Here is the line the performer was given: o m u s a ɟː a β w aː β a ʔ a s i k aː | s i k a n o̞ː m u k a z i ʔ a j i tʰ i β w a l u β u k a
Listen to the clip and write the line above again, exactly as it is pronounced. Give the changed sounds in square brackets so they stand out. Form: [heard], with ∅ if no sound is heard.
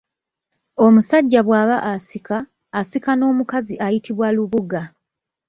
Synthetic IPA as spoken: o m u s a ɟː a β w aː β a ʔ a s i k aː | s i k a n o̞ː m u k a z i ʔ a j i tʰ i β w a l u β u [ɡ] a